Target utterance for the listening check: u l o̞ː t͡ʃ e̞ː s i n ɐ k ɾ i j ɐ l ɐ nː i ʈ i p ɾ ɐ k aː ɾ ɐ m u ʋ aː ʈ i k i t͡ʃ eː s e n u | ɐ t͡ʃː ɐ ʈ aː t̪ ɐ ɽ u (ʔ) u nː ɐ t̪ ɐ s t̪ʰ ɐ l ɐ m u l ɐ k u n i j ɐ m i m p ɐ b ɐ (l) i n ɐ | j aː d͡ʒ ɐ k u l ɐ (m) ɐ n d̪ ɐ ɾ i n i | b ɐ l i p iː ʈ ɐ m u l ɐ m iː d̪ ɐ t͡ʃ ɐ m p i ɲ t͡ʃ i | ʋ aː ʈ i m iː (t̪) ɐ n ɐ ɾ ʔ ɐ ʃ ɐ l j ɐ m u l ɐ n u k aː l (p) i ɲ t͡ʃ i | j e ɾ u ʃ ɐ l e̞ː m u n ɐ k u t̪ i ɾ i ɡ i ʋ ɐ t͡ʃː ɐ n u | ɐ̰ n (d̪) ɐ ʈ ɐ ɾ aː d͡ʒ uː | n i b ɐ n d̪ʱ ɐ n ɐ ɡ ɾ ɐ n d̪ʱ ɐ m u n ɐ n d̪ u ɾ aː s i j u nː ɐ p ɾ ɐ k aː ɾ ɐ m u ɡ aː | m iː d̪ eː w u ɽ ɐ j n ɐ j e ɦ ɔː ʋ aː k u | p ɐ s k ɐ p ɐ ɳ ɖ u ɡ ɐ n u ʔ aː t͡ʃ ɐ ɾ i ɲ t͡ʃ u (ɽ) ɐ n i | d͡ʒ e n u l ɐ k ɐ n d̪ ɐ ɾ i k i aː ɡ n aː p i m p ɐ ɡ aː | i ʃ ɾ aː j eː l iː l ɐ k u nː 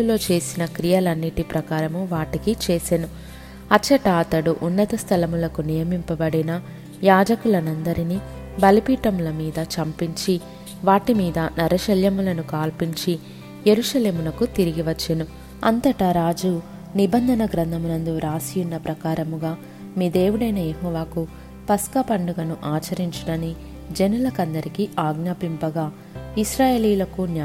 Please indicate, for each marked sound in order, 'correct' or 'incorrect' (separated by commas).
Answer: correct, incorrect, incorrect, incorrect, correct, incorrect, correct